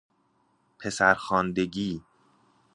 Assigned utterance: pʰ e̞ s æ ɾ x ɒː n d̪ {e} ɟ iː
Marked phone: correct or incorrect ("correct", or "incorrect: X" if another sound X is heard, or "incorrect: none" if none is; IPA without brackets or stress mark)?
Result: correct